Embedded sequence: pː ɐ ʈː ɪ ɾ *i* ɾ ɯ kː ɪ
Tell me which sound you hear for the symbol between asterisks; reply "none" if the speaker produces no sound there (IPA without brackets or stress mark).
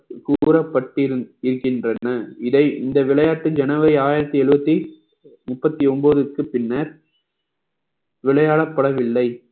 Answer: ɪ